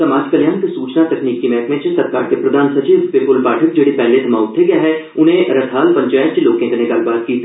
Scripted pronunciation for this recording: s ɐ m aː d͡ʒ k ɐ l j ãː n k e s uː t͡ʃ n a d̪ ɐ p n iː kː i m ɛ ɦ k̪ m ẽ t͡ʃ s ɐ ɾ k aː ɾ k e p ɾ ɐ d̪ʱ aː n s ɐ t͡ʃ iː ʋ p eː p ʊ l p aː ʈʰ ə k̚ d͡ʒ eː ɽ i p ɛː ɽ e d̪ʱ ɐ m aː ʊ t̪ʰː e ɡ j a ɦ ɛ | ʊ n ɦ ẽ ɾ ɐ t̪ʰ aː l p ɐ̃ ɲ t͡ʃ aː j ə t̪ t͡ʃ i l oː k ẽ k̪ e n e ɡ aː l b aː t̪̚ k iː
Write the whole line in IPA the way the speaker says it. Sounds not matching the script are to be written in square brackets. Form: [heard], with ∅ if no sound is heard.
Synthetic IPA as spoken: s ɐ m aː d͡ʒ k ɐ l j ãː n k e s uː t͡ʃ n a [t̪] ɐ [k] n iː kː i m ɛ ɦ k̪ m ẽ t͡ʃ s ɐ ɾ k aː ɾ k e p ɾ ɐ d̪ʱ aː n s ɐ t͡ʃ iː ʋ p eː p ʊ l p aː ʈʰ ə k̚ d͡ʒ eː ɽ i p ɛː [l] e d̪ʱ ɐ m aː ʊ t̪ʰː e ɡ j a ɦ ɛ | ʊ n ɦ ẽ ɾ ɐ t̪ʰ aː l p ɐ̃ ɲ t͡ʃ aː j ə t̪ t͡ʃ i l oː k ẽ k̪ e n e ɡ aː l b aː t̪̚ k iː